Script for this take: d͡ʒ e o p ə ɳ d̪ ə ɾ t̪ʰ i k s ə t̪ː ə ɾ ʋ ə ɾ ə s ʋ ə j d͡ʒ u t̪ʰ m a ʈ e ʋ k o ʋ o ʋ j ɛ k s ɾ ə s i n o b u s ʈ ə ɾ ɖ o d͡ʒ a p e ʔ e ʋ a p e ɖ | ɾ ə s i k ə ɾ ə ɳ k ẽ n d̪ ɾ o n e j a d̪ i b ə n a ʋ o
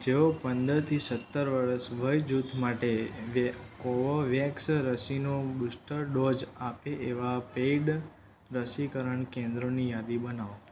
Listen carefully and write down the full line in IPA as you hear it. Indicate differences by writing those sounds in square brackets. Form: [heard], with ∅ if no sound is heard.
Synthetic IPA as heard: d͡ʒ e o p ə [n] d̪ ə ɾ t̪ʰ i [∅] s ə t̪ː ə ɾ ʋ ə ɾ ə s ʋ ə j d͡ʒ u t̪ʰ m a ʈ e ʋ k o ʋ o ʋ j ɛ k s ɾ ə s i n o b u s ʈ ə ɾ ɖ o d͡ʒ a p e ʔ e ʋ a p e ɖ | ɾ ə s i k ə ɾ ə ɳ k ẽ n d̪ ɾ o n [i] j a d̪ i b ə n a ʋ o